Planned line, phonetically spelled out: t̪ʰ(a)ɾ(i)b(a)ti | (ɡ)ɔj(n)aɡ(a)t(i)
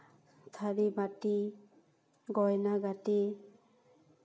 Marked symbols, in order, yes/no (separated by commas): yes, yes, yes, yes, yes, yes, yes